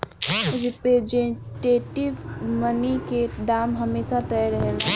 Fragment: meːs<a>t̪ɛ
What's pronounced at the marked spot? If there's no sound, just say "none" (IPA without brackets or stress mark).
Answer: a